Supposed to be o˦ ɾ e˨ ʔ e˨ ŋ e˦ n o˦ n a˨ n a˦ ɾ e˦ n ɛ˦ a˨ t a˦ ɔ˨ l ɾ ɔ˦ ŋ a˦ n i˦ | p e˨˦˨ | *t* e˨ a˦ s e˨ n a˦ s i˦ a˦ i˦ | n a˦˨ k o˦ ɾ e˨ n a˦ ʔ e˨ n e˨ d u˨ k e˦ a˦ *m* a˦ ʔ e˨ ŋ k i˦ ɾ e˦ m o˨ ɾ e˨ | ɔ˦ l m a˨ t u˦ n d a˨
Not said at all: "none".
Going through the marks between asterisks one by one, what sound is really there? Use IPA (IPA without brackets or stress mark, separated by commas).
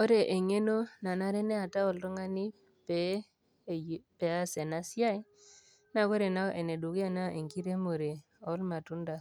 p, n